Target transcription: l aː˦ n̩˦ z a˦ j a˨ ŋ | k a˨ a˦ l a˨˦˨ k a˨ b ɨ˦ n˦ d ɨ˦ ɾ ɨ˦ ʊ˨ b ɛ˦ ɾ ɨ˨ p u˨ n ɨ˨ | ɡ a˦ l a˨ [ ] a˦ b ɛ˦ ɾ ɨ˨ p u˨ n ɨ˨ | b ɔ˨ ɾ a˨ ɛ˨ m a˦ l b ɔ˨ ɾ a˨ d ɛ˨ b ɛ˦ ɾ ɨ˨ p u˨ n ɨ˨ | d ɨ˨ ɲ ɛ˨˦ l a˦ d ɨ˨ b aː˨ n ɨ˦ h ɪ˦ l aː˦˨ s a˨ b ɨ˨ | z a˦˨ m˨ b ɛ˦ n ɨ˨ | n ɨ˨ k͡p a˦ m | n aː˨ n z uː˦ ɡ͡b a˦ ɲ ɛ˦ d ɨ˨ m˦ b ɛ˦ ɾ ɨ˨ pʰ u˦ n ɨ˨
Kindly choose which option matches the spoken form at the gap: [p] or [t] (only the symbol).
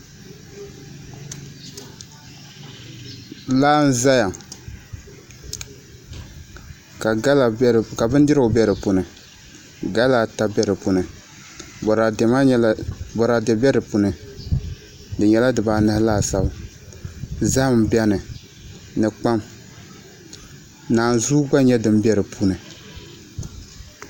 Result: t